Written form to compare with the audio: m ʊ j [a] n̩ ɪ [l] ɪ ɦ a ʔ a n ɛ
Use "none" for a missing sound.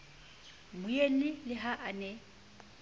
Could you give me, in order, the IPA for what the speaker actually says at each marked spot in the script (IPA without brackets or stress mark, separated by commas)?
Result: e, l